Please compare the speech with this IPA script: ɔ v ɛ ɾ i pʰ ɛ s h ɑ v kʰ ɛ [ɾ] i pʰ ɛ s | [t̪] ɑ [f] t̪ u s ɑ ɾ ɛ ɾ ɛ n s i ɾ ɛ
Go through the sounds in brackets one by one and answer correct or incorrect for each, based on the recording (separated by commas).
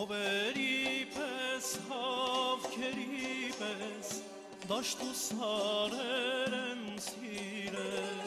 correct, incorrect, incorrect